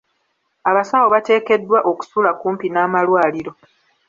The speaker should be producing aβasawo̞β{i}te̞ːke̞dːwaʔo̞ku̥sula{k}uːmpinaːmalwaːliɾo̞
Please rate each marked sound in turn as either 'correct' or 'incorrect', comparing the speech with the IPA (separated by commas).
incorrect, correct